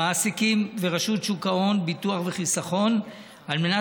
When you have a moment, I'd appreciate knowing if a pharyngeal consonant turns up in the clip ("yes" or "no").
no